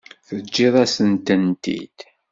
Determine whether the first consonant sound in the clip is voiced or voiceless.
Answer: voiceless